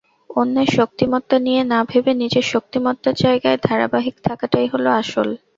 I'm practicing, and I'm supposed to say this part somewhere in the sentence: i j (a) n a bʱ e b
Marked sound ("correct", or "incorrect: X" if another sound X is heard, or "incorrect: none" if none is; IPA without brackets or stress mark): incorrect: e